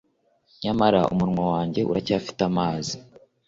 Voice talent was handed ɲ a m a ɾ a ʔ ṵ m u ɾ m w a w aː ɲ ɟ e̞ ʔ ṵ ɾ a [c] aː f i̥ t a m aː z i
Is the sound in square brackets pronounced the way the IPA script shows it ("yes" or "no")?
yes